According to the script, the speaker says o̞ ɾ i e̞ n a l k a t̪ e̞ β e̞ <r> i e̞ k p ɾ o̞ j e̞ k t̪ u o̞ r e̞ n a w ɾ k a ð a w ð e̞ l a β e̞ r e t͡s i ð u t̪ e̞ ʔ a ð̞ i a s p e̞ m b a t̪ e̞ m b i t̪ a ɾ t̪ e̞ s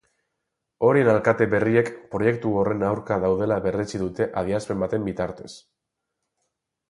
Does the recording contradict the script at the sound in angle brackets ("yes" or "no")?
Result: no